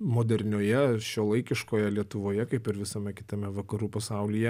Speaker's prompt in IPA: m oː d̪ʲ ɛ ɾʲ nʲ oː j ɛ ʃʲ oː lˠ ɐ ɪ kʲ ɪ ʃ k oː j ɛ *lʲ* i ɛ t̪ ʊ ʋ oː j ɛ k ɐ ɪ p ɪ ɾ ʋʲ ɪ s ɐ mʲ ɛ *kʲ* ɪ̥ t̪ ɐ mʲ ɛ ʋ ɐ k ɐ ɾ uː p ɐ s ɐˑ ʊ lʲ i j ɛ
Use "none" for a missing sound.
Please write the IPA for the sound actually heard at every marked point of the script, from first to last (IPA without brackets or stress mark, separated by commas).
lʲ, kʲ